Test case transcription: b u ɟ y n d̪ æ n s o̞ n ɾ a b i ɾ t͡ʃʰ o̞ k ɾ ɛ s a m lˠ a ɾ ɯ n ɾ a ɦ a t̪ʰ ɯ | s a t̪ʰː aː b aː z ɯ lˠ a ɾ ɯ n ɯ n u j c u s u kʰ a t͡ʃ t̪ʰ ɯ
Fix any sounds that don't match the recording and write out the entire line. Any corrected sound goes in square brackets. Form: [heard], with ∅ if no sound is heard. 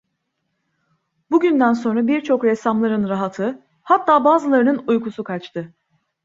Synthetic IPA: b u ɟ y n d̪ æ n s o̞ n ɾ a b i ɾ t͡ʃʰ o̞ k ɾ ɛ s a m lˠ a ɾ ɯ n ɾ a ɦ a t̪ʰ ɯ | [h] a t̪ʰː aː b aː z ɯ lˠ a ɾ ɯ n ɯ n u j [k] u s u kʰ a t͡ʃ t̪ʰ ɯ